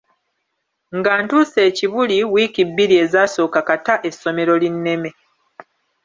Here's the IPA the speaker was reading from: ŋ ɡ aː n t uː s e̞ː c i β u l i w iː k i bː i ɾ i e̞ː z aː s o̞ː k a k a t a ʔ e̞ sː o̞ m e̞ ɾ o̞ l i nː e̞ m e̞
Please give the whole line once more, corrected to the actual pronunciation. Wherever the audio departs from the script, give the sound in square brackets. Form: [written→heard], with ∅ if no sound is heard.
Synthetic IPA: ŋ ɡ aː n t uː s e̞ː c i β u l i w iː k i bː i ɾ i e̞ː z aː s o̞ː k a k a t a ʔ e̞ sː o̞ m e̞ ɾ o̞ l i nː e̞ m e̞